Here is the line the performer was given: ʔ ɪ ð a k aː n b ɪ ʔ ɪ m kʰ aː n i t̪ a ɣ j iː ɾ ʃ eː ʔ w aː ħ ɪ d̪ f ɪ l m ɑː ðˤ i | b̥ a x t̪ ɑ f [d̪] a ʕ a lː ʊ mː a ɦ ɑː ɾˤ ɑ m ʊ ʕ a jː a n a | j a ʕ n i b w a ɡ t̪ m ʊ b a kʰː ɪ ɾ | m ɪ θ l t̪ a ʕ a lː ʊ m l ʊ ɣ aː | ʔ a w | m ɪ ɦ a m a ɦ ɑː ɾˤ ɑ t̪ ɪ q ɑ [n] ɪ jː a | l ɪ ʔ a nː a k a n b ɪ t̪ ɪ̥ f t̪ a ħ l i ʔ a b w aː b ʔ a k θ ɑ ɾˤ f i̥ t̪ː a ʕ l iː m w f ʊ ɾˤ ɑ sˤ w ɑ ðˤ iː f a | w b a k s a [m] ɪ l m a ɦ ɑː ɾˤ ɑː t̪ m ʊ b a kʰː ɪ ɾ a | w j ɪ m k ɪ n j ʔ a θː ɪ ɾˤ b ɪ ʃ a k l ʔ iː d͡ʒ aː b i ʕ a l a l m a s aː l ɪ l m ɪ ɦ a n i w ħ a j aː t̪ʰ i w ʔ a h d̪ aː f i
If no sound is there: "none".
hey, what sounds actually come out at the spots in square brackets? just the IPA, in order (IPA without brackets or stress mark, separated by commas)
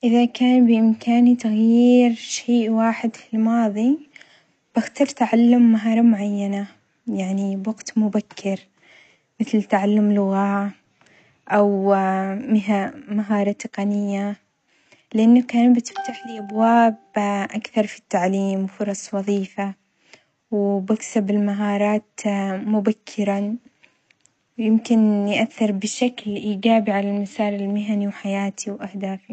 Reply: t̪, n, b